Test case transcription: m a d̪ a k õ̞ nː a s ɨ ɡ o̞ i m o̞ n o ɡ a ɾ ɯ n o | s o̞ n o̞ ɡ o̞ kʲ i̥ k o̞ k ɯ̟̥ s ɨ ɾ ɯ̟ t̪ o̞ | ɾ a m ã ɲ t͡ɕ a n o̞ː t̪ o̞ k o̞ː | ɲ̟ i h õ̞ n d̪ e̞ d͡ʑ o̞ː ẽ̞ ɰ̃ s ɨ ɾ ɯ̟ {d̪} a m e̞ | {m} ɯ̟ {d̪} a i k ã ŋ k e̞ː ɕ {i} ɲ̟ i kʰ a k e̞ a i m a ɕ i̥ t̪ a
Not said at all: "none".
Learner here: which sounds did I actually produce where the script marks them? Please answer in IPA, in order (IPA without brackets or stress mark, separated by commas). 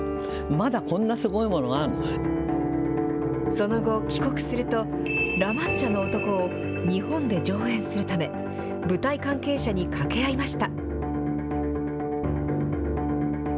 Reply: t̪, b, t̪, a